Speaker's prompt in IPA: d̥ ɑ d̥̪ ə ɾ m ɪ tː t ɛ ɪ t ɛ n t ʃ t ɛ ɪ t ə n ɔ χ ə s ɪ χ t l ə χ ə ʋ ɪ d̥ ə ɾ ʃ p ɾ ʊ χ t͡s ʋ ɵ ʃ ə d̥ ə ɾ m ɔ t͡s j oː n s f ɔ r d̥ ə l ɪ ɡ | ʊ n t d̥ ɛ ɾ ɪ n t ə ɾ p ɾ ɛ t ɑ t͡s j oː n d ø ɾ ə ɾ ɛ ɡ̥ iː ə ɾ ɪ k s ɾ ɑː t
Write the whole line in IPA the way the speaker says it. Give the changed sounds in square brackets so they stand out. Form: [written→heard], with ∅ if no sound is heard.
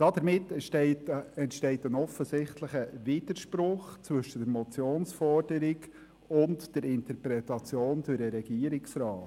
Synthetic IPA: d̥ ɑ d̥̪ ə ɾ m ɪ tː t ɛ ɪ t ɛ n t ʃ t ɛ ɪ t ə n ɔ [χ→f] ə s ɪ χ t l ə χ ə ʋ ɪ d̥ ə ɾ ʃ p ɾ ʊ χ t͡s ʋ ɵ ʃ ə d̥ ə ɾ m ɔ t͡s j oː n s f ɔ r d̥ ə [l→ɾ] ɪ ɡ | ʊ n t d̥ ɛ ɾ ɪ n t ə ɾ p ɾ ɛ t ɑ t͡s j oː n d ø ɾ ə ɾ ɛ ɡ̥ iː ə ɾ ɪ k s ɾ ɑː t

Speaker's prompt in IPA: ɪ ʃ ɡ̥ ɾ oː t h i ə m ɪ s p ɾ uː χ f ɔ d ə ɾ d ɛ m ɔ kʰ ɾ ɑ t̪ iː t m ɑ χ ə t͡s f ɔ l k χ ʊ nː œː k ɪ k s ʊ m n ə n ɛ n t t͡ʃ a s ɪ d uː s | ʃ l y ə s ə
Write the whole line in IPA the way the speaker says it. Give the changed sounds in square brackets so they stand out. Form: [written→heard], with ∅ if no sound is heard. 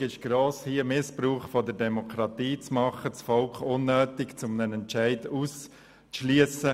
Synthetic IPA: ɪ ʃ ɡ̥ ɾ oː [t→s] h i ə m ɪ s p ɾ uː χ f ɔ d ə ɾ d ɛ m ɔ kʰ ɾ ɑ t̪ iː [t→t͡s] m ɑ χ ə t͡s f ɔ l k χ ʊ nː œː [k→t] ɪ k [s→t͡s] ʊ m n ə n ɛ n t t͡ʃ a [s→∅] ɪ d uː s | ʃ l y ə s ə

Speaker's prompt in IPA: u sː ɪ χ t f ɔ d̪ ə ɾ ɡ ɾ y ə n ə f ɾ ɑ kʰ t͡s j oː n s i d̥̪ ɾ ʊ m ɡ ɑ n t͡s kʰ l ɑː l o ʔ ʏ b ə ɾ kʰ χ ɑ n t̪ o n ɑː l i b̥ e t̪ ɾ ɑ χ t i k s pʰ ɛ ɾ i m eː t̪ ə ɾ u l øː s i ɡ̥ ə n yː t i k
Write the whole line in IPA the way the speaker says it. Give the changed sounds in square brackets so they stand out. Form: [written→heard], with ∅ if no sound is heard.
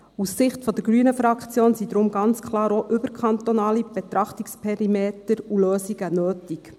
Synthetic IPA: u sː ɪ χ t f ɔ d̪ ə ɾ ɡ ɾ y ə n ə f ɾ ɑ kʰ t͡s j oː n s i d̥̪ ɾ ʊ m ɡ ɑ n t͡s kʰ l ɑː [l→ɾ] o ʔ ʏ b ə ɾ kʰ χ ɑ n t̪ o n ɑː l i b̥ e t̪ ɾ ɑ χ t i k s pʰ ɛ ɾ i m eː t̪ ə ɾ u l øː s i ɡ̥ ə n [yː→øː] t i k

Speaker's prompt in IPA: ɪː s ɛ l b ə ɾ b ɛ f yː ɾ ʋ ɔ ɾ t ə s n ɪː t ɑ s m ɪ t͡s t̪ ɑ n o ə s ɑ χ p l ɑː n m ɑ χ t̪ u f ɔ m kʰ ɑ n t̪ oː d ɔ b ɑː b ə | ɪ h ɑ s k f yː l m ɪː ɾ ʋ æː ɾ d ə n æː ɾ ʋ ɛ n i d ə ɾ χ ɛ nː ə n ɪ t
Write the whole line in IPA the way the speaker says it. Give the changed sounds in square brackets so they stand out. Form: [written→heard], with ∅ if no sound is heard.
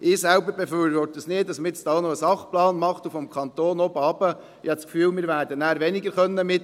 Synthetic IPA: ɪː s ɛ l b ə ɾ b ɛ f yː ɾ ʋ ɔ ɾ t ə s n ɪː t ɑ s m ɪ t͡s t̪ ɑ n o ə s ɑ χ p l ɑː n m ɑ χ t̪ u f ɔ m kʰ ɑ n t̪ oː [d→n] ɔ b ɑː b ə | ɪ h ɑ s k f yː l m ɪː ɾ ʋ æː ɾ d ə n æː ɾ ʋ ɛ n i [d→ɡ] ə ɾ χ [ɛ→œ] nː ə [n→m] ɪ t

